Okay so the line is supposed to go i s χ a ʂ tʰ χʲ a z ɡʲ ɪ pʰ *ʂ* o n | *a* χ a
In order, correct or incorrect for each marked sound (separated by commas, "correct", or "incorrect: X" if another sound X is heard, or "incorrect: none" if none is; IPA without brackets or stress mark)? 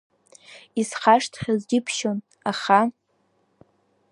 incorrect: ʃ, correct